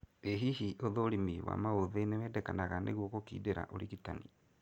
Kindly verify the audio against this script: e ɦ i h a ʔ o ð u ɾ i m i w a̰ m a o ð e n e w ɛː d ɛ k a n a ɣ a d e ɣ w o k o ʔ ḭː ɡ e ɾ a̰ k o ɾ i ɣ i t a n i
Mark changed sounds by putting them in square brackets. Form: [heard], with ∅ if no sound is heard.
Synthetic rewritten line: e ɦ i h [i] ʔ o ð [o] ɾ i m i w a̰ m a o ð e n e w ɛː d ɛ k a n a ɣ a [n] e ɣ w o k o [k] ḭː [d] e ɾ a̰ [ʔ] o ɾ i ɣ i t a n i